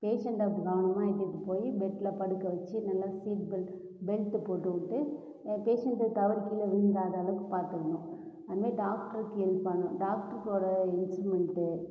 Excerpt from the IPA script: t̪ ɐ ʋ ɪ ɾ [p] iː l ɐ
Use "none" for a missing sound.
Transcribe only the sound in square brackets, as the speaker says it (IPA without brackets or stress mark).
k